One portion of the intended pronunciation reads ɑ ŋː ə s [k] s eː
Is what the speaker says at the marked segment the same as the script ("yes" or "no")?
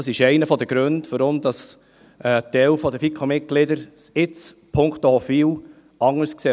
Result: yes